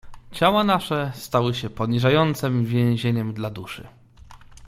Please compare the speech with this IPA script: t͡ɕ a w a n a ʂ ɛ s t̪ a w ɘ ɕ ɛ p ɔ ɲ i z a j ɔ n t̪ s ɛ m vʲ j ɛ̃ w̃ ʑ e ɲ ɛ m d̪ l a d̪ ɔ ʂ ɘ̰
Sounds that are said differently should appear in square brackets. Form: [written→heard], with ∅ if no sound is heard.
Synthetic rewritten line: t͡ɕ a w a n a ʂ ɛ s t̪ a w ɘ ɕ ɛ p ɔ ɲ i [z→ʐ] a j ɔ n t̪ s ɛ m vʲ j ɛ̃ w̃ ʑ e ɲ ɛ m d̪ l a d̪ [ɔ→u] ʂ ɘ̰